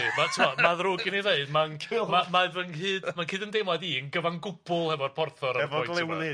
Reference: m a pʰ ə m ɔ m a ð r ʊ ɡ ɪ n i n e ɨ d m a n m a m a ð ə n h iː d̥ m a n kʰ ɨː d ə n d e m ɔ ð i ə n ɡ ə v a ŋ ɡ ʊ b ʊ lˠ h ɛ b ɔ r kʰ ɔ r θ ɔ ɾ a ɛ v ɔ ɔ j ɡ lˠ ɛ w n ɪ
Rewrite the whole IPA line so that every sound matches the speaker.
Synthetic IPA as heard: m a tʰ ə m ɔ m a ð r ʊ ɡ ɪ n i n e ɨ d m a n m a m a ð ə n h ɨː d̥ m a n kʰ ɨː d ə n d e m ɔ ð i ə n ɡ ə v a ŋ ɡ ʊ b ʊ lˠ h ɛ v ɔ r pʰ ɔ r θ ɔ ɾ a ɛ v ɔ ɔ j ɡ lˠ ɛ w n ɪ